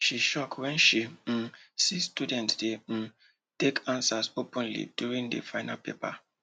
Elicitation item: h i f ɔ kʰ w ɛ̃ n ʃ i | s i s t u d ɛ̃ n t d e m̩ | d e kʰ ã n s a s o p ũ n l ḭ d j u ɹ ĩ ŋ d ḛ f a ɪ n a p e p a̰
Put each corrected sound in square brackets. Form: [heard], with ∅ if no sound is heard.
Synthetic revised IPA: [ʃ] i [ʃ] ɔ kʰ w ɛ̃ n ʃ i | s i s t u d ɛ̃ n t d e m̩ | [t] e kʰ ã n s a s o p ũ n l ḭ d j u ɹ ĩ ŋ d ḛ f a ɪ n a p e p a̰